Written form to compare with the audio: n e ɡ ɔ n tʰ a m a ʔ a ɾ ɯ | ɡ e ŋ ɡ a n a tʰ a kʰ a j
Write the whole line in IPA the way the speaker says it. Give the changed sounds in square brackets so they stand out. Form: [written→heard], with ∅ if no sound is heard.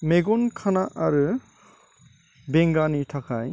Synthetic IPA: [n→m] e ɡ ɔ n [tʰ→kʰ] a [m→n] a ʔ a ɾ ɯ | [ɡ→b] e ŋ ɡ a n [a→i] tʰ a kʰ a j